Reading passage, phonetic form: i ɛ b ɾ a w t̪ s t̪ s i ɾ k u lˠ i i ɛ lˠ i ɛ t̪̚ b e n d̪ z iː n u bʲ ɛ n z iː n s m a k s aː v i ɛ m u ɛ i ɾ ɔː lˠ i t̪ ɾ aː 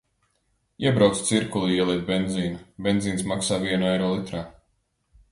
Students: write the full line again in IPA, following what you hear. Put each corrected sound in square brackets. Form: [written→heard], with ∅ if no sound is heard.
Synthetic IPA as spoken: i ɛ b ɾ a w t̪ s t̪ s i ɾ k u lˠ i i ɛ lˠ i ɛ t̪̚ b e n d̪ z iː n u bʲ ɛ n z iː n s m a k s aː v i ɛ [m→n] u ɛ [i→j] ɾ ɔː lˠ i t̪ ɾ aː